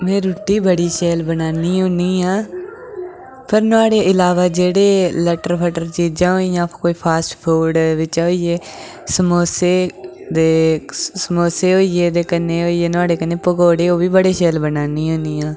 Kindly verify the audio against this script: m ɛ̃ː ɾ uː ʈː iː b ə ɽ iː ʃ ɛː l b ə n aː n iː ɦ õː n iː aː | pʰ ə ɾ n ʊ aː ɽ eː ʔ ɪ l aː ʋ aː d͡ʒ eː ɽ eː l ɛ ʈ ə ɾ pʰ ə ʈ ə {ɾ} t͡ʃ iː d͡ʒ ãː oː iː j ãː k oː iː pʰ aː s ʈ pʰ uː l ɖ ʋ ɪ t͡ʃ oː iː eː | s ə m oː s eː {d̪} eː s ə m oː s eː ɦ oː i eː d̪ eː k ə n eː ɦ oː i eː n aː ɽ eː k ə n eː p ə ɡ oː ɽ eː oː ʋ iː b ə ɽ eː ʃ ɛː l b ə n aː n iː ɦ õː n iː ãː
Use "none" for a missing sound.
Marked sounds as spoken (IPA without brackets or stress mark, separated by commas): ɾ, d̪